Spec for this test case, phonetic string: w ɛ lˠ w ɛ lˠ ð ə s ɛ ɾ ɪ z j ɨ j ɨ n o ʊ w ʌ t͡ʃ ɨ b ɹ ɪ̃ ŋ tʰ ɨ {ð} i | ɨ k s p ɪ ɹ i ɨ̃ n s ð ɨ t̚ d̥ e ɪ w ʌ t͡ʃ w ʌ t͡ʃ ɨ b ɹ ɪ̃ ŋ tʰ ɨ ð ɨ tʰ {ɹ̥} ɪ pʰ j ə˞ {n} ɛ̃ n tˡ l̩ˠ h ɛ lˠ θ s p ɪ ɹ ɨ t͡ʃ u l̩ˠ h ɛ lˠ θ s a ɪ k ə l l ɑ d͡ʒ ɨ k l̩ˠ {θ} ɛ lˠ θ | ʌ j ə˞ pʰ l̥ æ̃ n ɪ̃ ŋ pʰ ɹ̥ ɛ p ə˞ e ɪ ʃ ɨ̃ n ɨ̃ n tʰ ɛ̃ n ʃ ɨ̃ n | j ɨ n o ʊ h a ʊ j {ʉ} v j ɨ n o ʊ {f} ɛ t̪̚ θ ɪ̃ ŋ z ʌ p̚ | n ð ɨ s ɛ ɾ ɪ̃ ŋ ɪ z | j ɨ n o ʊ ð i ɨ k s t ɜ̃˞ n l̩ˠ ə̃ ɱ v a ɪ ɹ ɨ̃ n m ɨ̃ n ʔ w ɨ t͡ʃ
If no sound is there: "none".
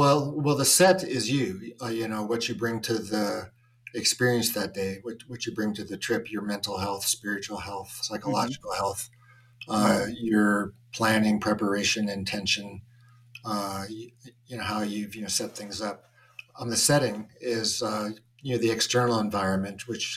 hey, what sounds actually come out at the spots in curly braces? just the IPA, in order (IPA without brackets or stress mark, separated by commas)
ð, ɹ̥, m, h, ʉ, s